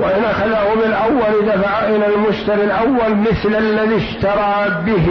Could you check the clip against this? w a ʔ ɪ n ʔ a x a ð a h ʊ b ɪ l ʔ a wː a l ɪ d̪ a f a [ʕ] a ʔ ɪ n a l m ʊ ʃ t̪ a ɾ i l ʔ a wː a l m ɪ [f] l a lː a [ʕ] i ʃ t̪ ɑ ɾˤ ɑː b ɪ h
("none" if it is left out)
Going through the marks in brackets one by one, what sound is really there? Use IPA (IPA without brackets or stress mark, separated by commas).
ʕ, θ, ð